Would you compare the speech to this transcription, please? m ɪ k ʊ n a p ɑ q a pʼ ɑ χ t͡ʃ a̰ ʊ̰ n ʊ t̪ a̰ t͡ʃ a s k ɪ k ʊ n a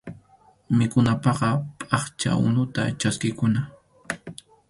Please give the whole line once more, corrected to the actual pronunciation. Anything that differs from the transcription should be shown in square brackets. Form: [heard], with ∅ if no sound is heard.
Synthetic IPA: m ɪ k ʊ n a p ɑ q [ɑ] pʼ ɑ χ t͡ʃ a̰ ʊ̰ n ʊ t̪ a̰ t͡ʃ a s k ɪ k ʊ n a

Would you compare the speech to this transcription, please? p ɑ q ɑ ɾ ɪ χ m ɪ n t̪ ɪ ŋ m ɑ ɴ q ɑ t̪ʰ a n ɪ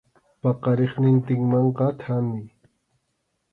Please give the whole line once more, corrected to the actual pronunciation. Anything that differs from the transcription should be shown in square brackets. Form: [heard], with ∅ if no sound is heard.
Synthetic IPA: p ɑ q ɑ ɾ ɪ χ [n] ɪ n t̪ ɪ ŋ m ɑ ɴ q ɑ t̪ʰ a [m] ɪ

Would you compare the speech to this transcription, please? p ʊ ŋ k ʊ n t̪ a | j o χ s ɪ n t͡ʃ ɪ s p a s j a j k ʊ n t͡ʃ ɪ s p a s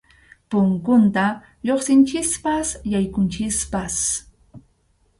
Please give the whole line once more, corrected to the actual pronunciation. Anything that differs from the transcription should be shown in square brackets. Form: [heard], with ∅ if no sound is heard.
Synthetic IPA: p ʊ ŋ k ʊ n t̪ a | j o χ s ɪ n t͡ʃ ɪ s p a s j a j k ʊ n t͡ʃ ɪ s p a s

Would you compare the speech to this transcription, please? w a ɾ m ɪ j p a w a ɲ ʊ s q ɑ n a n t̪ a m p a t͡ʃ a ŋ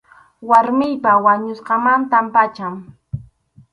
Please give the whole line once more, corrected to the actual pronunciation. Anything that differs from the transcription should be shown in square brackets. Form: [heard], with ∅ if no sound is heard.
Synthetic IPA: w a ɾ m ɪ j p a w a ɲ ʊ s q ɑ [m] a n t̪ a m p a t͡ʃ a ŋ

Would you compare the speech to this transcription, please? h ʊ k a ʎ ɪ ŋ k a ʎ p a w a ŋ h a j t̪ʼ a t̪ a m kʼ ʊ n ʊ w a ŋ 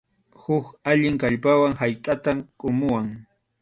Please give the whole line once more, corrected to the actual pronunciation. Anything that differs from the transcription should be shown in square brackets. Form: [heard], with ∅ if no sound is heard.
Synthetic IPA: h ʊ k a ʎ ɪ ŋ k a ʎ p a w a ŋ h a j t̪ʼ a t̪ a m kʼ ʊ [m] ʊ w a ŋ

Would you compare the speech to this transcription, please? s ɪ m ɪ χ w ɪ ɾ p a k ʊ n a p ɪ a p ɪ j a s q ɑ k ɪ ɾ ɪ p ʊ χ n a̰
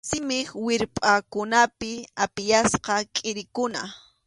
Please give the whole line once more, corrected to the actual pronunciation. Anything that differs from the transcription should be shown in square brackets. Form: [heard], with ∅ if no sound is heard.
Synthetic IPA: s ɪ m ɪ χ w ɪ ɾ [pʼ] a k ʊ n a p ɪ a p ɪ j a s q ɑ [kʼ] ɪ ɾ ɪ [k] ʊ [∅] n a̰

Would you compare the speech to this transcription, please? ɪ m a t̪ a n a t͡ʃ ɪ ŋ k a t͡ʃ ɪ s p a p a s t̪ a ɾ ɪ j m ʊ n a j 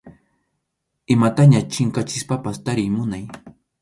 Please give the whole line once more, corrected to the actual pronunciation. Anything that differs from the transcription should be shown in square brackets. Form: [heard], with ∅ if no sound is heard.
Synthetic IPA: ɪ m a t̪ a [ɲ] a t͡ʃ ɪ ŋ k a t͡ʃ ɪ s p a p a s t̪ a ɾ ɪ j m ʊ n a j

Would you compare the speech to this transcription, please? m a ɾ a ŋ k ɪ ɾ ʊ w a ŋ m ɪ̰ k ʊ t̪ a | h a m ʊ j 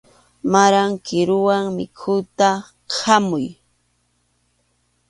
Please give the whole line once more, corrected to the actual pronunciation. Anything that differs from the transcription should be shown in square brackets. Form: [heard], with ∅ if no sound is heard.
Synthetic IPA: m a ɾ a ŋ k ɪ ɾ ʊ w a ŋ m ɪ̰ [kʰ] ʊ t̪ a | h a m ʊ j

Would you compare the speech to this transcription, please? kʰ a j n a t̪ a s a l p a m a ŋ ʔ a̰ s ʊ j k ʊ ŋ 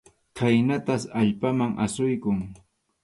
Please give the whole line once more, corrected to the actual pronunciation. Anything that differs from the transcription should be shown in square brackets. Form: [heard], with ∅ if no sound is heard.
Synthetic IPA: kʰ a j n a t̪ a s a [ʎ] p a m a ŋ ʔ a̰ s ʊ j k ʊ ŋ

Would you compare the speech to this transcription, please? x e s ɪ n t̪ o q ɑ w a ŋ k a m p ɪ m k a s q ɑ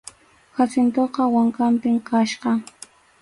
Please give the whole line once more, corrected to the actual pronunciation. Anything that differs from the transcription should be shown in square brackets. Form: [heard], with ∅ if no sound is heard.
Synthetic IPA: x [a] s ɪ n t̪ o q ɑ w a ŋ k a m p ɪ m k a [ʃ] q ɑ

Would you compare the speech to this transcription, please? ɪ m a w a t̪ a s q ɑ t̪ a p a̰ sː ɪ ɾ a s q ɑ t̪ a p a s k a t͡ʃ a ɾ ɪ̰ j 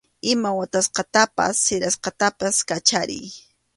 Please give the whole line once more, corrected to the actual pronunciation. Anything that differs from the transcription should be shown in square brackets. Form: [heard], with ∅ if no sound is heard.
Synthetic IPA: ɪ m a w a t̪ a s q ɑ t̪ a p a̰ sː ɪ ɾ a s q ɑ t̪ a p a s k a t͡ʃ a ɾ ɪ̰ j

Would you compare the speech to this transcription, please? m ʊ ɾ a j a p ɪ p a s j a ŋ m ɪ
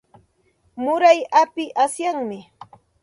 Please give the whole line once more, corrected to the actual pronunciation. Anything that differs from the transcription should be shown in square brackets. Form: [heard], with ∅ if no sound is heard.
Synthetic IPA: m ʊ ɾ a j a p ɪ [ʔ] a s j a ŋ m ɪ

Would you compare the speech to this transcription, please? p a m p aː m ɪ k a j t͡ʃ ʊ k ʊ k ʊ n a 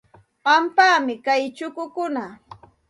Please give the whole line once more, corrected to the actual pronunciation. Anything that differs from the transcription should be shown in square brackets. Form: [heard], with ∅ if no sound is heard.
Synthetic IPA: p a m p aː m ɪ k a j t͡ʃ ʊ k ʊ k ʊ n a

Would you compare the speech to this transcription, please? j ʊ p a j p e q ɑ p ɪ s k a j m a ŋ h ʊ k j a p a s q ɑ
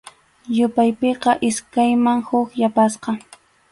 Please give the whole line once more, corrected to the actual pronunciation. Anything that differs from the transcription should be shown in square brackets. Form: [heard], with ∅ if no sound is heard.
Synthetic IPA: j ʊ p a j p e q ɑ [ʔ] ɪ s k a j m a ŋ h ʊ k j a p a s q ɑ

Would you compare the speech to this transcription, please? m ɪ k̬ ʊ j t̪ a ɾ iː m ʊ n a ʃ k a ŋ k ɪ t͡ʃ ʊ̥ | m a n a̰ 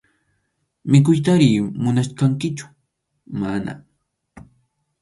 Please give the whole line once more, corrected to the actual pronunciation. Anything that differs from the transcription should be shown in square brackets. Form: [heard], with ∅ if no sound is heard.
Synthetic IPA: m ɪ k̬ ʊ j t̪ a ɾ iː m ʊ n a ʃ k a ŋ k ɪ t͡ʃ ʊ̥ | m a n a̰

